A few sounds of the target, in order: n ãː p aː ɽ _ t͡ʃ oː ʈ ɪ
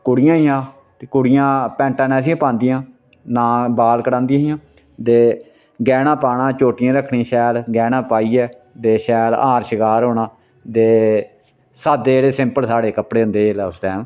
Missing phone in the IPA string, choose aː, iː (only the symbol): aː